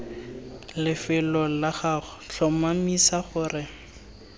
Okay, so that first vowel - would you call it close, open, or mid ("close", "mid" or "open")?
close